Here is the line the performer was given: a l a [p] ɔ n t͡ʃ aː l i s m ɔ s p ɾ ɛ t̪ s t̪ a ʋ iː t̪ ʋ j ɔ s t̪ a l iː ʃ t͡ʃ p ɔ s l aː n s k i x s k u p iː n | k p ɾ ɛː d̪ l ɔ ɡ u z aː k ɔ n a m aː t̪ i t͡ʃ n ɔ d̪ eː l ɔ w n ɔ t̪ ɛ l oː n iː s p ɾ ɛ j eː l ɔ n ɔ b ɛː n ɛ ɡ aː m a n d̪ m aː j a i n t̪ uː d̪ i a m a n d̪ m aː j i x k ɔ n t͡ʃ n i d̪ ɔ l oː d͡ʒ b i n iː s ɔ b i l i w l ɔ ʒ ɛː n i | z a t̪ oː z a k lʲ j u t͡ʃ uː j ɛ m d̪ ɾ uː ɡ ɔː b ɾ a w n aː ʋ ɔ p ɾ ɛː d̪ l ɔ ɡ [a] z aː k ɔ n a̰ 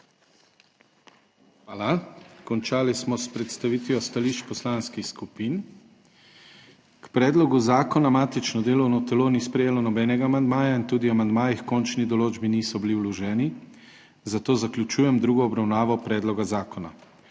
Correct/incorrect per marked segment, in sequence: incorrect: k, correct

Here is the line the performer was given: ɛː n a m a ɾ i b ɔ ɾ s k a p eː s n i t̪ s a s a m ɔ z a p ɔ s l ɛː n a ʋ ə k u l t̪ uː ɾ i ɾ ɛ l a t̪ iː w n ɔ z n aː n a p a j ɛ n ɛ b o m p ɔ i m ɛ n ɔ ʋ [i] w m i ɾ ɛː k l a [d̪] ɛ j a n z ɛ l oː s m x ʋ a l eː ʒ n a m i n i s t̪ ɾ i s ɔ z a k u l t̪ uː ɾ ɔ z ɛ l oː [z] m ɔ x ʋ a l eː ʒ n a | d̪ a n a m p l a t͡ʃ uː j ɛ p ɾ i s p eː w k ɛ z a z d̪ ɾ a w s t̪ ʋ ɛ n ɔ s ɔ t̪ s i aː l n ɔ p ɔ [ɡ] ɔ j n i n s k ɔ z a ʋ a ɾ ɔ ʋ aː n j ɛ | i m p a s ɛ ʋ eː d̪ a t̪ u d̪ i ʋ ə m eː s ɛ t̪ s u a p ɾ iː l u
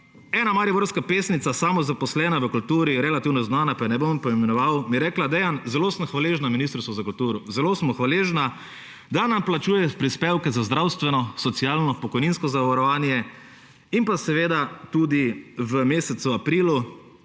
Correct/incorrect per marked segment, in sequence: incorrect: a, correct, incorrect: s, incorrect: k

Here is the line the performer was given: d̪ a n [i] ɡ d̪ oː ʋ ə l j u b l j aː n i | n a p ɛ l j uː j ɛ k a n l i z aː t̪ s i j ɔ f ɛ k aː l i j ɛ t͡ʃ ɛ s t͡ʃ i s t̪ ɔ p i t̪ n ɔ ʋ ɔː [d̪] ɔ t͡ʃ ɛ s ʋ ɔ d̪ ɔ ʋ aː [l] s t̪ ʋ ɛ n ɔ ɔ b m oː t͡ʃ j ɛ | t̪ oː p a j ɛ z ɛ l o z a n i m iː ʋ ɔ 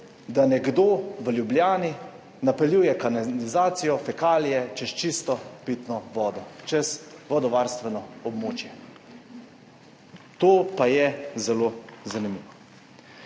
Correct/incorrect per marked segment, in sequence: incorrect: ɛ, correct, incorrect: ɾ

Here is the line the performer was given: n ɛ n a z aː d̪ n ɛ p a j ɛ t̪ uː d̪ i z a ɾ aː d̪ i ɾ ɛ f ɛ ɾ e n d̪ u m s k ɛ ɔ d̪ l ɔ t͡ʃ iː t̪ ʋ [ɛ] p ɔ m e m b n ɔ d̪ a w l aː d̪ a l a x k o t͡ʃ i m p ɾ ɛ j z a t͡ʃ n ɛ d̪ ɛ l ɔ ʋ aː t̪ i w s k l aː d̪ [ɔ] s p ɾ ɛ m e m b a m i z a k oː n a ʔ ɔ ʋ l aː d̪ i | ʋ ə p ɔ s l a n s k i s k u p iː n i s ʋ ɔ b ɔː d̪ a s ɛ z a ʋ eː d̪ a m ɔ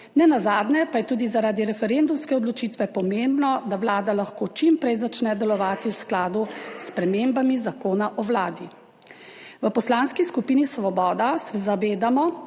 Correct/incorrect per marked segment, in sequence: correct, incorrect: u

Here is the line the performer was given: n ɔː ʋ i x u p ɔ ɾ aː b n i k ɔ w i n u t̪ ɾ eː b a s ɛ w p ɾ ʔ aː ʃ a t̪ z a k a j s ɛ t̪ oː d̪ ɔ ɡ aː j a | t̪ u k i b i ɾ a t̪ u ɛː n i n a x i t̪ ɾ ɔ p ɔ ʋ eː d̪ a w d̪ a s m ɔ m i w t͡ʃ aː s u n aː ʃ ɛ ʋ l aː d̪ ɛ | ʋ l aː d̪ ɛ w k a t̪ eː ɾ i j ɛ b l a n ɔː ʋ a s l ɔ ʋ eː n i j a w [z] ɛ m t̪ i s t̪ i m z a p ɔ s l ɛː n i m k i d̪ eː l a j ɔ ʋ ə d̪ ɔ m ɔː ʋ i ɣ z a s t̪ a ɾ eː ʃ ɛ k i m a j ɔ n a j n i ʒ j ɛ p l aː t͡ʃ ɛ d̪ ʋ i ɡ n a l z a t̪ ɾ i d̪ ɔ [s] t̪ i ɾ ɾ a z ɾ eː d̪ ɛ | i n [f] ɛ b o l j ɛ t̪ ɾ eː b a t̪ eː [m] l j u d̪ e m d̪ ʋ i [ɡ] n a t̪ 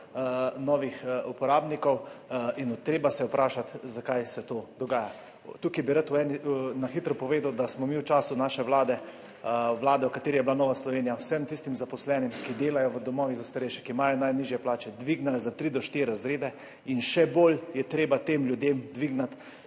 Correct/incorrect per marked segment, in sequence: incorrect: s, incorrect: ʃ, incorrect: ʃ, correct, correct

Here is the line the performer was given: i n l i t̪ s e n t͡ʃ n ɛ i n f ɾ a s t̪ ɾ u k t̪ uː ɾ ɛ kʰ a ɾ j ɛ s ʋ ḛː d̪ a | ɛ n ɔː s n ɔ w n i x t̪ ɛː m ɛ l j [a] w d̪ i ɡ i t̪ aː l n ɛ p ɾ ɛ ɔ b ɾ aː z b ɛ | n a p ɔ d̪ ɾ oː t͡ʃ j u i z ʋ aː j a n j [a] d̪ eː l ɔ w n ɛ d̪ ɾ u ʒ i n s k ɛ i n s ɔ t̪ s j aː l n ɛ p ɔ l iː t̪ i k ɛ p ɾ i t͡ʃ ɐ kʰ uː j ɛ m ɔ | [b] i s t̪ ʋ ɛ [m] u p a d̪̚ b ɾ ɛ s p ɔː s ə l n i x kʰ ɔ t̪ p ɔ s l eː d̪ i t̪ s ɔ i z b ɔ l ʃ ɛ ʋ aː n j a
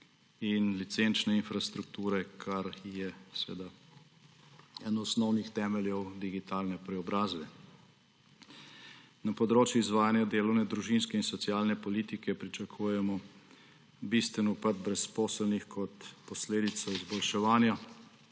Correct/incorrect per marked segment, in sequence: incorrect: ɛ, correct, correct, incorrect: n

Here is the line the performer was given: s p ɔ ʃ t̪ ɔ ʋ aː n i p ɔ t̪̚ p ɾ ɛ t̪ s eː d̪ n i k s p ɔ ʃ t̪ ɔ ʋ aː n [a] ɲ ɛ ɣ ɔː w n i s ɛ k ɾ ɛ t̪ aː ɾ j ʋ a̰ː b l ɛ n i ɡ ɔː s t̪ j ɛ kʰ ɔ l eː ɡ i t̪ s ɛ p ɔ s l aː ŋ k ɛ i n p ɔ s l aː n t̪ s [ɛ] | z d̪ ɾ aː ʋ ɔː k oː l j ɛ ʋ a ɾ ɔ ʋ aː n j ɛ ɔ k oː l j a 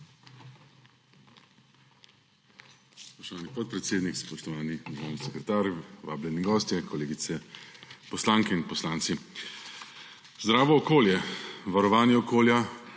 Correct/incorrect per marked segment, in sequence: incorrect: i, incorrect: i

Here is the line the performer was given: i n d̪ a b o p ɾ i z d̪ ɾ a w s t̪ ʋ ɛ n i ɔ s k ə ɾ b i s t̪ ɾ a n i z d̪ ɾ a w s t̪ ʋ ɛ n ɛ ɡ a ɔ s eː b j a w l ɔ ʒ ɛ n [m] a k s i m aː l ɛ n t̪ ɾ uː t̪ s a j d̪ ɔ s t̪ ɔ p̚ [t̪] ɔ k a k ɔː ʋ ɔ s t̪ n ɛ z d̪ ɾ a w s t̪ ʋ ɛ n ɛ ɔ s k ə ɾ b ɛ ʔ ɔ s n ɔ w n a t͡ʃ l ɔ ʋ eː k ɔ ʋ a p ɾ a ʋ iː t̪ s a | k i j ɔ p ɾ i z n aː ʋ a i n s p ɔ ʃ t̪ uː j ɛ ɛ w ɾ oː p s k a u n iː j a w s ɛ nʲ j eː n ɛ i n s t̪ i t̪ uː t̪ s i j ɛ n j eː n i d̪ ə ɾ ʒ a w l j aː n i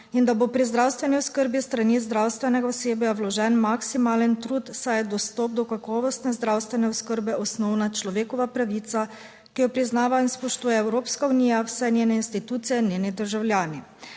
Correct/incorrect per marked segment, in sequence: correct, incorrect: d̪

